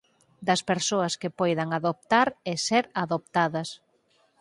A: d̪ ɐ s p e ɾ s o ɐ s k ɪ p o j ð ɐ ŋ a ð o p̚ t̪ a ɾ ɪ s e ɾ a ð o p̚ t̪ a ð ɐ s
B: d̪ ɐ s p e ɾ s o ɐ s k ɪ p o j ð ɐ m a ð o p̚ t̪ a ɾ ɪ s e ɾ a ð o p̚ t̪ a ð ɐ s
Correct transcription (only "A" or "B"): A